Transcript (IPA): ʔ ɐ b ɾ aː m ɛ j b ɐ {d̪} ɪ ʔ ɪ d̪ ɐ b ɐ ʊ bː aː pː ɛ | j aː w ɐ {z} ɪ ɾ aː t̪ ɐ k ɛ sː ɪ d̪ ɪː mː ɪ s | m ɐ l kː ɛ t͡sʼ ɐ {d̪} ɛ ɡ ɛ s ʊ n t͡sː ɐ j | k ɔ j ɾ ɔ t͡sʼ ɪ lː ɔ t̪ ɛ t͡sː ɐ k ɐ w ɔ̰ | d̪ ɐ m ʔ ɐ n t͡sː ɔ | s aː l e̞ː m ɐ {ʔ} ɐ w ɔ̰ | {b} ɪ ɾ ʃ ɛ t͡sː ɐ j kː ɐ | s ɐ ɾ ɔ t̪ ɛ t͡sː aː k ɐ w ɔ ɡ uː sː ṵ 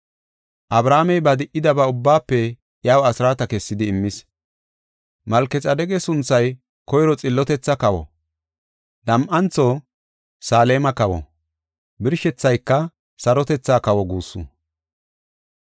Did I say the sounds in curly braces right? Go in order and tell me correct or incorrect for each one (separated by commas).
correct, incorrect, correct, incorrect, correct